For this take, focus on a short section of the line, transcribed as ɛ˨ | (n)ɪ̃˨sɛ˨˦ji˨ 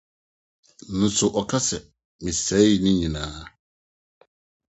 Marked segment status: incorrect: m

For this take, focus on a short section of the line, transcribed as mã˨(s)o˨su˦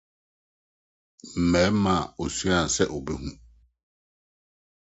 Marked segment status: incorrect: none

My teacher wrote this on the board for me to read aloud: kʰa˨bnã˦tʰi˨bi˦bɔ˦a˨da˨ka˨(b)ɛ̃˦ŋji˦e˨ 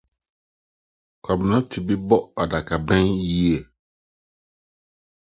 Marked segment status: correct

